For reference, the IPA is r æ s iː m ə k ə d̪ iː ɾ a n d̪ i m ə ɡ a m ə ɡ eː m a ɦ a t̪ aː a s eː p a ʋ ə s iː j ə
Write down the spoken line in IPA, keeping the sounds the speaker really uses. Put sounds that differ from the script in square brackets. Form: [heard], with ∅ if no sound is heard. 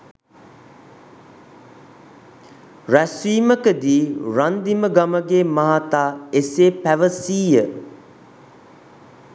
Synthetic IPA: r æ s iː m ə k ə d̪ iː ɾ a n d̪ i m ə ɡ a m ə ɡ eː m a ɦ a t̪ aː [e] s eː p [æ] ʋ ə s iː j ə